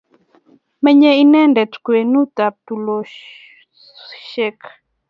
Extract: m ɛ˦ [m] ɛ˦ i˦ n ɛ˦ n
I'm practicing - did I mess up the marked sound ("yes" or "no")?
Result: yes